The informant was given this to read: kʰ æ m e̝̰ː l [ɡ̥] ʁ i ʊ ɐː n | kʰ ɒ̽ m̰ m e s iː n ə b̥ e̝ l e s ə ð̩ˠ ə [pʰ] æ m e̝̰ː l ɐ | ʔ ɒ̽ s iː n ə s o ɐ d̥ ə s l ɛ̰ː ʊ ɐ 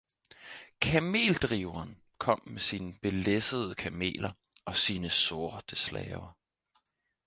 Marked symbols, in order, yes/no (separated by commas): no, no